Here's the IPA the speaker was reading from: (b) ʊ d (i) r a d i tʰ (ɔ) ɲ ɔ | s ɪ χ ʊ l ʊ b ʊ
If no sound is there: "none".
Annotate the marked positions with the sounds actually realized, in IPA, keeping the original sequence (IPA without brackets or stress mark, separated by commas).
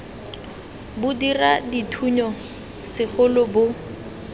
b, i, u